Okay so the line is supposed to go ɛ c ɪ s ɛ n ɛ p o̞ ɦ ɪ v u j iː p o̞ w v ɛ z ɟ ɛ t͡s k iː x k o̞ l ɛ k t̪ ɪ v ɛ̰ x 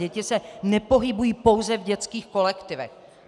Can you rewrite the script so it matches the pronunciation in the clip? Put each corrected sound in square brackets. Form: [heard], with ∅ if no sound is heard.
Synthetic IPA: ɛ c ɪ s ɛ n ɛ p o̞ ɦ ɪ [b] u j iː p o̞ w [z] ɛ [v] ɟ ɛ t͡s k iː x k o̞ l ɛ k t̪ ɪ v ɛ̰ x

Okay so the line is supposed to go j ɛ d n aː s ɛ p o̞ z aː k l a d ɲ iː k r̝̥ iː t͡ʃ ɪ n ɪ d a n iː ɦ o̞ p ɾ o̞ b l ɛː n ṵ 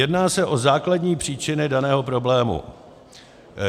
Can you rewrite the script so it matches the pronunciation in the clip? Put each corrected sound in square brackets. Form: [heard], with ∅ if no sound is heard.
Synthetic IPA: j ɛ d n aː s ɛ [ʔ] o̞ z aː k l a d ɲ iː [p] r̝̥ iː t͡ʃ ɪ n ɪ d a n [ɛː] ɦ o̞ p ɾ o̞ b l ɛː [m] ṵ

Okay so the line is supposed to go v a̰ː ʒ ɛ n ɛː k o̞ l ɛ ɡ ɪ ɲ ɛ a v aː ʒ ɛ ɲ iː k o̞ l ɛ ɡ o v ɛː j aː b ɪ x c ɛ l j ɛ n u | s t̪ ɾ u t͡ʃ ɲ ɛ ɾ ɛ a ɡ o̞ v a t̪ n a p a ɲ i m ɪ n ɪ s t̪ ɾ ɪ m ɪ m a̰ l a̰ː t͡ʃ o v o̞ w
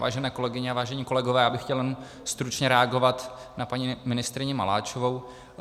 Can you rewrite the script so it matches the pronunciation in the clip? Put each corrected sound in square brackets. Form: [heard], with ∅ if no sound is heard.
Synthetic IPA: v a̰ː ʒ ɛ n ɛː k o̞ l ɛ ɡ ɪ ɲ ɛ a v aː ʒ ɛ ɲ iː k o̞ l ɛ ɡ o v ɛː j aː b ɪ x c ɛ l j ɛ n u | s t̪ ɾ u t͡ʃ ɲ ɛ ɾ ɛ a ɡ o̞ v a t̪ n a p a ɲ i m ɪ n ɪ s t̪ ɾ ɪ [ɲ] ɪ m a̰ l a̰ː t͡ʃ o v o̞ w

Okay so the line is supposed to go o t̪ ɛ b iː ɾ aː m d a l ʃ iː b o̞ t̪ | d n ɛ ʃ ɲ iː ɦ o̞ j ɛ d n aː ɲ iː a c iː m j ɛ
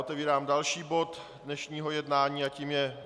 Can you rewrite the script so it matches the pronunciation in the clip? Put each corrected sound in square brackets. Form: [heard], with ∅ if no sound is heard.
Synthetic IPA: o t̪ ɛ [v] iː ɾ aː m d a l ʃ iː b o̞ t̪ | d n ɛ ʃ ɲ iː ɦ o̞ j ɛ d n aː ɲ iː a c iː m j ɛ

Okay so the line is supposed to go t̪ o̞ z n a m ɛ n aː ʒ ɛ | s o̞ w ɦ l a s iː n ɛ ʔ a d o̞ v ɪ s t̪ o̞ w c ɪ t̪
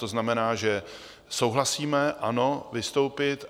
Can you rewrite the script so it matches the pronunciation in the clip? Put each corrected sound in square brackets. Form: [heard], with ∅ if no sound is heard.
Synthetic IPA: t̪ o̞ z n a m ɛ n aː ʒ ɛ | s o̞ w ɦ l a s iː [m] ɛ ʔ a [n] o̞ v ɪ s t̪ o̞ w [p] ɪ t̪

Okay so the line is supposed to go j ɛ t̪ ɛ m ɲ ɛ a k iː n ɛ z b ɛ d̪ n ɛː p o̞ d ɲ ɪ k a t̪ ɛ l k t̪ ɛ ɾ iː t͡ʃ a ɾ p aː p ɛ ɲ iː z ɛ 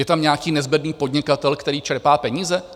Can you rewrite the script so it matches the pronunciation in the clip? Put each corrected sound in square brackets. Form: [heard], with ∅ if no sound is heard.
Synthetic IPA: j ɛ t̪ [a] m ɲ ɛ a k iː n ɛ z b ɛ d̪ n [iː] p o̞ d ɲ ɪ k a t̪ ɛ l k t̪ ɛ ɾ iː t͡ʃ [ɛ] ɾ p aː p ɛ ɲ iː z ɛ

